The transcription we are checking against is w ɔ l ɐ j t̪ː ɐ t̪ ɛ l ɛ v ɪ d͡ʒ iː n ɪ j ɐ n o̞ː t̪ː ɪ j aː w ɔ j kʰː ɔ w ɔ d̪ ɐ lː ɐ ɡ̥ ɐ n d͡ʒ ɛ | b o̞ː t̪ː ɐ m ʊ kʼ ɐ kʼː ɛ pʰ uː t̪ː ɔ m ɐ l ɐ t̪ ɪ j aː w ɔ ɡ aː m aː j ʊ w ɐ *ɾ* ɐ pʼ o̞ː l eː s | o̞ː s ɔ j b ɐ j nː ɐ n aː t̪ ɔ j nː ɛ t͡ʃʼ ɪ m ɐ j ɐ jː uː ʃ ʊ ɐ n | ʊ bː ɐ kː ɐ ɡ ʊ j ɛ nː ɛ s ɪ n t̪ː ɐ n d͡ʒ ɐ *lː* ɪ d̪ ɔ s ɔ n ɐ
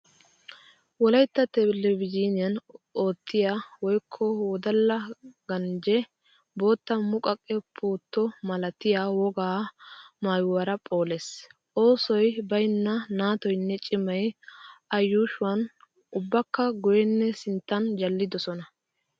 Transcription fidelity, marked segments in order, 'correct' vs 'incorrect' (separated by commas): correct, correct